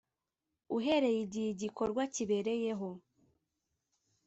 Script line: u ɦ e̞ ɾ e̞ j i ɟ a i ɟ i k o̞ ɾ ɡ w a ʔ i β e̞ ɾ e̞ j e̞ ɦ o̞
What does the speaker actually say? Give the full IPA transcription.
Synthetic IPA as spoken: u ɦ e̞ ɾ e̞ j i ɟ i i ɟ i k o̞ ɾ ɡ w a c i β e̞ ɾ e̞ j e̞ ɦ o̞